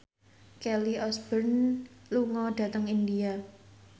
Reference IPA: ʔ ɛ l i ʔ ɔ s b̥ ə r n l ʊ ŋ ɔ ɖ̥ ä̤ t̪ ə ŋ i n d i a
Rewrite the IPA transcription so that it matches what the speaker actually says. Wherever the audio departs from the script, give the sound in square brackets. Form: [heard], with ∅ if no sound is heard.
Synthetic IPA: [k] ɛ l i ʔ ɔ s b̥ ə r n l [u] ŋ ɔ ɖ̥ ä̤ t̪ ə ŋ i n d i a